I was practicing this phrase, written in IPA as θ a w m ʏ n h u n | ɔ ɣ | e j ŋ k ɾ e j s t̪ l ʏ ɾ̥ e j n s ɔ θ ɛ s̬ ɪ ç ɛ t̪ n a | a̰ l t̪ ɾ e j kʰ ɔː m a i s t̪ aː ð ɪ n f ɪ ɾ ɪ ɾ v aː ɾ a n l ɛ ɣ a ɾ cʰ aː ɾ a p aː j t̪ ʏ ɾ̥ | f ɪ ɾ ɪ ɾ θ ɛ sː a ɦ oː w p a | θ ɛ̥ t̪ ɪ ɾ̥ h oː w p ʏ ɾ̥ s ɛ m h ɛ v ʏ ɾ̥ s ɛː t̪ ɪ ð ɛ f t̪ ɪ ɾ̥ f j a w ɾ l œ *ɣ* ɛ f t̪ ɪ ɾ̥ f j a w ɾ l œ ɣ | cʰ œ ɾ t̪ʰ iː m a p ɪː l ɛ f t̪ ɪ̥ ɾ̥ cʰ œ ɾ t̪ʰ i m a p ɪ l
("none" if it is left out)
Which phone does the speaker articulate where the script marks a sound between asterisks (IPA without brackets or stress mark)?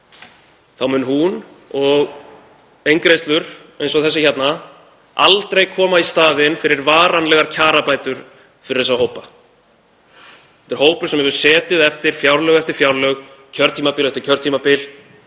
ɣ